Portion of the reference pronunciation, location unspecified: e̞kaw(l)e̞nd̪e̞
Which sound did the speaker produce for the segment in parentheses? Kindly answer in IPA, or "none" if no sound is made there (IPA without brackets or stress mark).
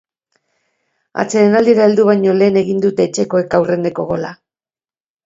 r